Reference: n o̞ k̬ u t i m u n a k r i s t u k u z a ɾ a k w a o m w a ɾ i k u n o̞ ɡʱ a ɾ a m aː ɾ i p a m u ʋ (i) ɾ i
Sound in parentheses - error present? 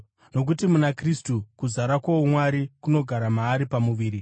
yes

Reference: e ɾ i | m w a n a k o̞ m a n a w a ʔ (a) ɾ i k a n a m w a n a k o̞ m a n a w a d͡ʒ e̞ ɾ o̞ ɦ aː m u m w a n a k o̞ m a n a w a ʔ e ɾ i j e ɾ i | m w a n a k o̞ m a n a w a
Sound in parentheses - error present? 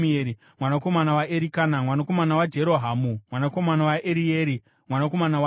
yes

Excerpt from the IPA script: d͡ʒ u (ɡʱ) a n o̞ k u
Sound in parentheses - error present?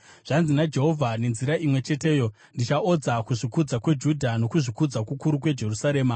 yes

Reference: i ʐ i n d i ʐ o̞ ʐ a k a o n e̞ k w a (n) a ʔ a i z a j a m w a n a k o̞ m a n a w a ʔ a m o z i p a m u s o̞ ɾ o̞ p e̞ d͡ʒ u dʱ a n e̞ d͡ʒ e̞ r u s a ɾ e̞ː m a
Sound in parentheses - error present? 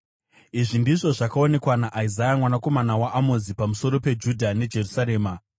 no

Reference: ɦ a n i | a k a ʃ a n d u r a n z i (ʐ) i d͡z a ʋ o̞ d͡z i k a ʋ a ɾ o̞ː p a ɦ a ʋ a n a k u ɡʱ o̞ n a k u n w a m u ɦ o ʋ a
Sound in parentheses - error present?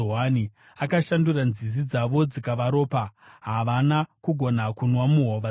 yes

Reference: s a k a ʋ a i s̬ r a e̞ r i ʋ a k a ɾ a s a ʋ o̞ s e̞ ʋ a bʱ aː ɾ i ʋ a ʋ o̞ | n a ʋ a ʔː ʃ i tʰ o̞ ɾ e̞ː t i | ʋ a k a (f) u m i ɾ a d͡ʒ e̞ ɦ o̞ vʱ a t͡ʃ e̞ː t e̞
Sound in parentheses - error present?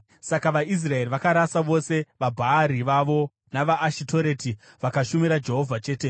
yes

